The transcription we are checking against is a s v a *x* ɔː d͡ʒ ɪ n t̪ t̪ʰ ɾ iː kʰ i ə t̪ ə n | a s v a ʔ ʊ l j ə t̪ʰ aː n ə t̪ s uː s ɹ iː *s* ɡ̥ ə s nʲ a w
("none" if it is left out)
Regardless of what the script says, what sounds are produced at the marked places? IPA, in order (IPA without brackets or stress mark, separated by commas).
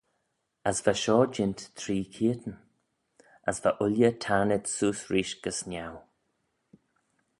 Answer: ʃ, ʃ